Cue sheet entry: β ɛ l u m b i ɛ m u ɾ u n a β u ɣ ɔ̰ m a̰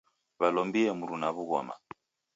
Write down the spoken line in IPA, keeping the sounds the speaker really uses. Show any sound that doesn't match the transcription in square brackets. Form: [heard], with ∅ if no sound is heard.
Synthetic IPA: β [a] l [ɔ] m b i ɛ m u ɾ u n a β u ɣ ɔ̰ m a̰